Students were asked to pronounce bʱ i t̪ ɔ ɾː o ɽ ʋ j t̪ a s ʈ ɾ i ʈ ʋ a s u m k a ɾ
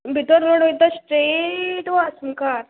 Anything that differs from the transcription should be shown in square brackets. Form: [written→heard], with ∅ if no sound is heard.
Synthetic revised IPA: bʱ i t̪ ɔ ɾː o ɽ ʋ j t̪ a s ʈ ɾ [i→e] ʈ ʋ a s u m k a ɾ